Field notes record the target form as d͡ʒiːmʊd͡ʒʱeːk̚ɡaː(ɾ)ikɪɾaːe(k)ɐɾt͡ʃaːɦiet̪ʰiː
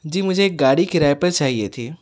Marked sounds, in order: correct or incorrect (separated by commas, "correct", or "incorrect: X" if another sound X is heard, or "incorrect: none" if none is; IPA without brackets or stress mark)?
incorrect: ɽ, incorrect: p